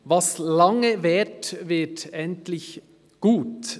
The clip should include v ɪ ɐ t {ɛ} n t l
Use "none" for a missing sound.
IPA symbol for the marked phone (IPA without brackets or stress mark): ɛ